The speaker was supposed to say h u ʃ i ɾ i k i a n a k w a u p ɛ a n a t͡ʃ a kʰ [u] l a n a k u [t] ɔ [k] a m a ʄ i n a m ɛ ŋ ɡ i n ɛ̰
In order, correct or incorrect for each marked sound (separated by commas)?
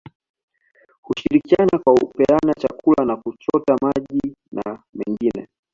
correct, incorrect, incorrect